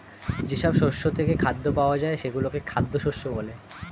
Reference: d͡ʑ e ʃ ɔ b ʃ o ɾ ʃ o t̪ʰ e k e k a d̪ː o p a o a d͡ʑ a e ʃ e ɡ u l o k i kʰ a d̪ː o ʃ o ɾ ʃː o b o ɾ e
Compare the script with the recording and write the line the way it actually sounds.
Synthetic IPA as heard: d͡ʑ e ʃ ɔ b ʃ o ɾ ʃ o t̪ʰ e k e kʰ a d̪ː o p a o a d͡ʑ a e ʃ e ɡ u l o k e kʰ a d̪ː o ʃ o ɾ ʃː o b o l e